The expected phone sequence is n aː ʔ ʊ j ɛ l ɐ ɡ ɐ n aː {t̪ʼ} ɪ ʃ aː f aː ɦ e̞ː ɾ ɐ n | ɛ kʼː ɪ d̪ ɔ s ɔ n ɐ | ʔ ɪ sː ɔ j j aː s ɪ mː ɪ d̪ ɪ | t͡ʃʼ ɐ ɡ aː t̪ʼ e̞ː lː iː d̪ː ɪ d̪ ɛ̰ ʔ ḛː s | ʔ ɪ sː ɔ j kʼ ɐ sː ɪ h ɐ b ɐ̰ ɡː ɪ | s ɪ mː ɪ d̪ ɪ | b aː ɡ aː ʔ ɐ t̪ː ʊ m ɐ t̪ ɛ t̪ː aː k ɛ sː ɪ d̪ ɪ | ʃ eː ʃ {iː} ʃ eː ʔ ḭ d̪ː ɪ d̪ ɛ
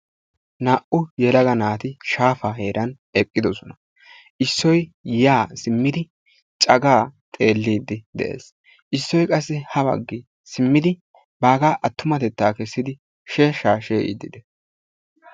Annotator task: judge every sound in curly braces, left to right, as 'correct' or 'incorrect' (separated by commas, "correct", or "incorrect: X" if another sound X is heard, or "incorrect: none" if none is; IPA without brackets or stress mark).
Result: incorrect: t̪, incorrect: aː